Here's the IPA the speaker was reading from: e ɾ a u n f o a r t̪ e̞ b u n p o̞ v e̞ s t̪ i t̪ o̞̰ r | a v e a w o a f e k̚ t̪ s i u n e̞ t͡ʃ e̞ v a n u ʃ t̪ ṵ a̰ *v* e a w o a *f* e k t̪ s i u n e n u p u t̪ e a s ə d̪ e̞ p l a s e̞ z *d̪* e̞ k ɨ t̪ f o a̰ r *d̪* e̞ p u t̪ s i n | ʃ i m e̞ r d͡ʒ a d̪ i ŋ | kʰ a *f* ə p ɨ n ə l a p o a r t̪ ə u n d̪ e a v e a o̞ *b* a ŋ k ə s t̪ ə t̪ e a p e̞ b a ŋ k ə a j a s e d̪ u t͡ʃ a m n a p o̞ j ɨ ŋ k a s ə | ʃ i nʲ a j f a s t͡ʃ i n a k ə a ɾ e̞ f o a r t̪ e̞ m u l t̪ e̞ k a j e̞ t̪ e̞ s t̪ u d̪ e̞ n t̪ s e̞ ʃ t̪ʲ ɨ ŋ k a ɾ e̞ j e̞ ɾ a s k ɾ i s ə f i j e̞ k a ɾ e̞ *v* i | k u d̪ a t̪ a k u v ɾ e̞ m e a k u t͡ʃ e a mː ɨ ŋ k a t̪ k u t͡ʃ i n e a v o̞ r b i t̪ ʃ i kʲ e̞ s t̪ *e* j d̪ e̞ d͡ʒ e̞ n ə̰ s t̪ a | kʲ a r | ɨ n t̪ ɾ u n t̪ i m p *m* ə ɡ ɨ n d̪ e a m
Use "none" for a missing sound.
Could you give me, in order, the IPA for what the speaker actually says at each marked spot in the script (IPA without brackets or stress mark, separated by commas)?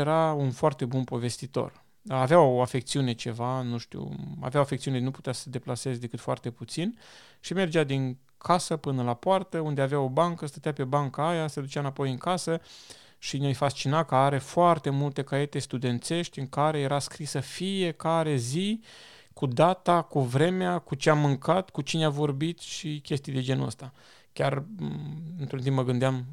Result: v, f, d̪, t̪, s, b, z, i, m